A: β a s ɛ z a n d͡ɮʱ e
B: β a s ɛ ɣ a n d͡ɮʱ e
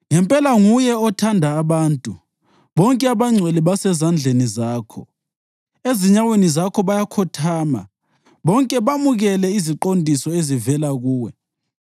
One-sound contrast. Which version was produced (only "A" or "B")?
A